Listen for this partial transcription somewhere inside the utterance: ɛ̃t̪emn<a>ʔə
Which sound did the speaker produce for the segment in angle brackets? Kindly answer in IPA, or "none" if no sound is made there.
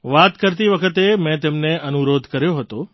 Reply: e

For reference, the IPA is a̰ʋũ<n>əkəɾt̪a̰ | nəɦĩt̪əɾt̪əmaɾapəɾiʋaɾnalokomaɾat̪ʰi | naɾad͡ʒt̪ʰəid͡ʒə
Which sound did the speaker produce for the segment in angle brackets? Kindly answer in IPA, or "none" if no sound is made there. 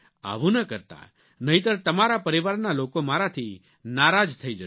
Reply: n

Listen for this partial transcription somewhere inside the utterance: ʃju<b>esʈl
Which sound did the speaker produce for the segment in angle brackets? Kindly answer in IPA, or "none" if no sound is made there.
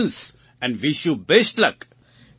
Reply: b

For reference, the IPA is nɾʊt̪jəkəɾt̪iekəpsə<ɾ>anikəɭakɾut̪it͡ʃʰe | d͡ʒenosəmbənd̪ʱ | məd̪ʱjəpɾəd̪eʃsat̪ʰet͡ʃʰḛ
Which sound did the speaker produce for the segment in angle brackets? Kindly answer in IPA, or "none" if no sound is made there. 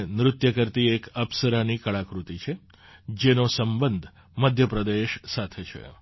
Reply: ɾ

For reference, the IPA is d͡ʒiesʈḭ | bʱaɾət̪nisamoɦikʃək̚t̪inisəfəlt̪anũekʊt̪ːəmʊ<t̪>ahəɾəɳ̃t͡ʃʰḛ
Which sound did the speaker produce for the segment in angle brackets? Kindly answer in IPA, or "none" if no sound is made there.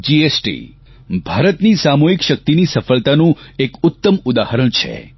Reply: d̪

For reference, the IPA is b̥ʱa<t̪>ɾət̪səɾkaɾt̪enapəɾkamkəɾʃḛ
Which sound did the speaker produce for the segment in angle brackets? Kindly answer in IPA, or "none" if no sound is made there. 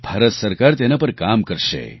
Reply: none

